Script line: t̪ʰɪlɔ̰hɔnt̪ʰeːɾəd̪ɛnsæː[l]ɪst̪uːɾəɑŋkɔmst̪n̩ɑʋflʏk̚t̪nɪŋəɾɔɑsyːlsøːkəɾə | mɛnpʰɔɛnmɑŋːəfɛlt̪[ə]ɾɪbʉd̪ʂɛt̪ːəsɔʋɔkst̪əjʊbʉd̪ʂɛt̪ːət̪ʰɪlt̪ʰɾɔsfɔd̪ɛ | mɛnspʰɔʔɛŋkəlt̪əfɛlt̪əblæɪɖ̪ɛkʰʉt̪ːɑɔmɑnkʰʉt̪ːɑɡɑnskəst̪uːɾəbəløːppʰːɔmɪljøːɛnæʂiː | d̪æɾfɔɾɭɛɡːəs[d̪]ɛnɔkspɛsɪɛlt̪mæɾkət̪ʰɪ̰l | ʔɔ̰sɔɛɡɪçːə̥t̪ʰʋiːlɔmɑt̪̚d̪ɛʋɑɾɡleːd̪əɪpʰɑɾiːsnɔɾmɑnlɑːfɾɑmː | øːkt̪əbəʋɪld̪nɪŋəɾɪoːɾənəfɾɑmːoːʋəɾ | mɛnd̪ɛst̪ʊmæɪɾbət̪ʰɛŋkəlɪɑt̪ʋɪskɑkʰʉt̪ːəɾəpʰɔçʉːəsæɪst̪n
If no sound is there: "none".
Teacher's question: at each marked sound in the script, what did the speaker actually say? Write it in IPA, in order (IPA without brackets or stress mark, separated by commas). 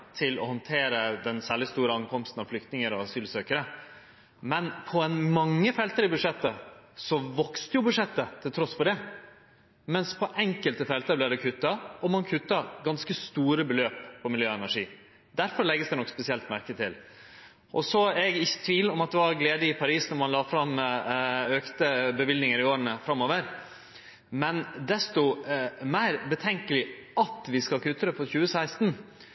ɭ, ə, d̪